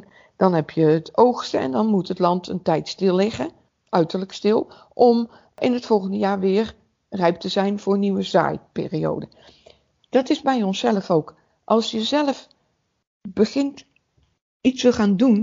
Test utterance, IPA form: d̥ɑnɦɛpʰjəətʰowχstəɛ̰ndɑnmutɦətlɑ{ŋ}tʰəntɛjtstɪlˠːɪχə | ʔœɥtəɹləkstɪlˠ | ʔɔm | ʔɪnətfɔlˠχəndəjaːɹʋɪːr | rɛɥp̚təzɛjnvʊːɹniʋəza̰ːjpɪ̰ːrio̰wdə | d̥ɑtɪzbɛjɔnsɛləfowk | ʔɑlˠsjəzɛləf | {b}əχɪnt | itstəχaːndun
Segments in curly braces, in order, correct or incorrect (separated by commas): incorrect, correct